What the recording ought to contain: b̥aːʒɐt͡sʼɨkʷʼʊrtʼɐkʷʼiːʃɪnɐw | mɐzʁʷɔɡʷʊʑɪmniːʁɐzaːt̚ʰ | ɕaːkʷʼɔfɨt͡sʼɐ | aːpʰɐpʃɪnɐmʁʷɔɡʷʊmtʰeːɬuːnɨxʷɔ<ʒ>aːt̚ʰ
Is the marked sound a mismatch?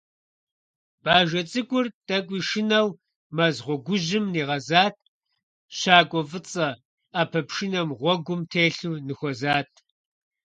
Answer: yes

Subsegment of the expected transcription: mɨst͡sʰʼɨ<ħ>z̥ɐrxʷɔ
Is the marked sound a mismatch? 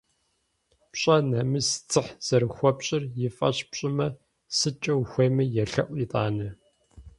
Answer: no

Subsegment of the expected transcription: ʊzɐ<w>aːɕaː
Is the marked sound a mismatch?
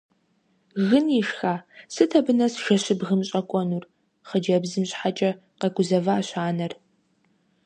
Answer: yes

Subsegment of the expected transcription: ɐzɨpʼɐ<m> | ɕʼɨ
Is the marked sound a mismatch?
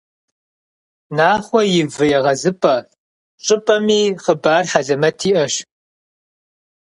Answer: yes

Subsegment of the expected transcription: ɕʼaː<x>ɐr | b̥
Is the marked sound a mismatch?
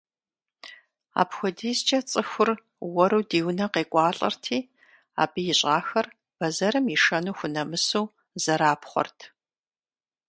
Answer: no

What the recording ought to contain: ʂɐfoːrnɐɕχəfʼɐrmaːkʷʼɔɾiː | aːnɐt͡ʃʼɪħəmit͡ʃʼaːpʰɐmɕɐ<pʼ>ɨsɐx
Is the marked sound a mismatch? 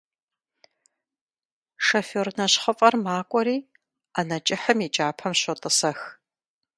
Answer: yes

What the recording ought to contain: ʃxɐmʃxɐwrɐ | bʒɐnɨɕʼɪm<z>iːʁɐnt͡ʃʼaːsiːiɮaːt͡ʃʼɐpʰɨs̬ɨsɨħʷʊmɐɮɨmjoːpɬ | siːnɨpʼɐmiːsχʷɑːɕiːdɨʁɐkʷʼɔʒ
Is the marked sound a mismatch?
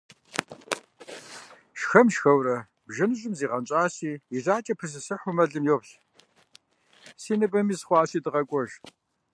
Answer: no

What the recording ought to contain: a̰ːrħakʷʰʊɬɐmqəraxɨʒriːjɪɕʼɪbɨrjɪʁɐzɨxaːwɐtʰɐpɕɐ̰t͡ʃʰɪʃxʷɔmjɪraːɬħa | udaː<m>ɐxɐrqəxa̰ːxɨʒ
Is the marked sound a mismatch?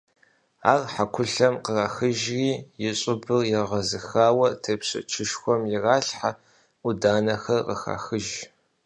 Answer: yes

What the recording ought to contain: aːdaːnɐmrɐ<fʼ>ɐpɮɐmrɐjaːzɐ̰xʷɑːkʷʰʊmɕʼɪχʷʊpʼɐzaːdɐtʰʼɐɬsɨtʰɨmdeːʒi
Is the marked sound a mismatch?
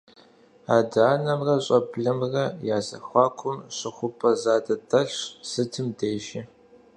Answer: yes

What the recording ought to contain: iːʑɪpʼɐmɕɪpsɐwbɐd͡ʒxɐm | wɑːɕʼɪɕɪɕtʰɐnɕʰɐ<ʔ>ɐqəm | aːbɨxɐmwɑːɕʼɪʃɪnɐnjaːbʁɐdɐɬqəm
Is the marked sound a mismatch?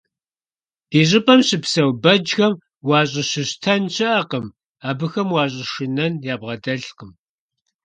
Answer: no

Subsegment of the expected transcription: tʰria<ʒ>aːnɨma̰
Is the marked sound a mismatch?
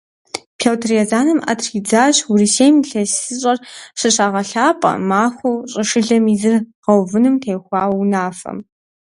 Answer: yes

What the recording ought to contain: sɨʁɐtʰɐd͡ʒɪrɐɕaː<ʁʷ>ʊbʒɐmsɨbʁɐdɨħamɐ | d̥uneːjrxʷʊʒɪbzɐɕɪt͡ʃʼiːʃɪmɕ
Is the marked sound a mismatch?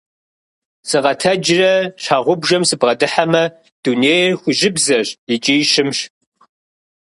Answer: no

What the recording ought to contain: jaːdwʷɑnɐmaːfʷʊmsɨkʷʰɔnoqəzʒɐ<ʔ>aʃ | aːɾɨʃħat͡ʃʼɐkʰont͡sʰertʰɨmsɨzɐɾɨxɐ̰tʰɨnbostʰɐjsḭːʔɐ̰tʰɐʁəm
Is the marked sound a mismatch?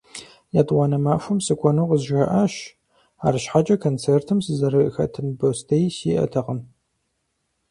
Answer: no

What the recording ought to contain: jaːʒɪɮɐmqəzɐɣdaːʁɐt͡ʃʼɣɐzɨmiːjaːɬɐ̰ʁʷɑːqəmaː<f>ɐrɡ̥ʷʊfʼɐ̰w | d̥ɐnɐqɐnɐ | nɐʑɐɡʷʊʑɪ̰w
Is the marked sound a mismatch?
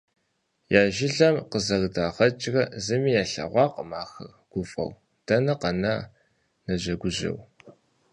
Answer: yes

